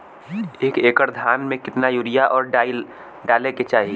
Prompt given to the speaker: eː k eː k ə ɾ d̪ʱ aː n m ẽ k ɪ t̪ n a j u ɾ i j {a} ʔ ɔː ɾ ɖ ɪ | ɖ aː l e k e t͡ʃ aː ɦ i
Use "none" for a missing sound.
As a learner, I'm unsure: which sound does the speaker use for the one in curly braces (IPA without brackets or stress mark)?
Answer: a